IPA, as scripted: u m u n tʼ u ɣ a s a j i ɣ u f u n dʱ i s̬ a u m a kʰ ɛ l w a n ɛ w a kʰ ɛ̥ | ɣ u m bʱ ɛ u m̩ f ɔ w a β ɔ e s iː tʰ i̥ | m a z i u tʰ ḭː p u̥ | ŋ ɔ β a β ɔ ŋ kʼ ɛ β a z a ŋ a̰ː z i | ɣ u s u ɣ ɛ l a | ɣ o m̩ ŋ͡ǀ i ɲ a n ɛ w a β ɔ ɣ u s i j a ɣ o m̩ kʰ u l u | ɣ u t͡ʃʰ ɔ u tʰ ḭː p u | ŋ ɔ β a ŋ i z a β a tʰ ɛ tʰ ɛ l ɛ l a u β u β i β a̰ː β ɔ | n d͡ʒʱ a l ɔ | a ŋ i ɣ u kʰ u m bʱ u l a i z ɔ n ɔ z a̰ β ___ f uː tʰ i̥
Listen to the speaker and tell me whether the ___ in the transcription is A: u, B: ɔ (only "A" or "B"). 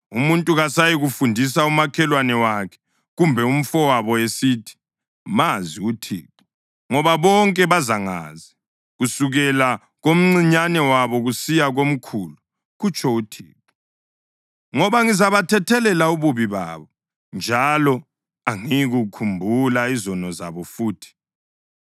B